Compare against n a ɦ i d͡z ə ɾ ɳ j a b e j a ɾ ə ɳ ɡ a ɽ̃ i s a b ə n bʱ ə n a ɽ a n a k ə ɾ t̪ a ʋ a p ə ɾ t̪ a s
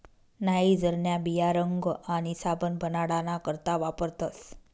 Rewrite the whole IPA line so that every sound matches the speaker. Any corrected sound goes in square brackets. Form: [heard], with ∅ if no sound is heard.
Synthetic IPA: n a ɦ i d͡z ə ɾ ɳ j a b [i] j a ɾ ə [ŋ] ɡ a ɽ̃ i s a b ə n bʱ ə n a ɽ a n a k ə ɾ t̪ a ʋ a p ə ɾ t̪ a s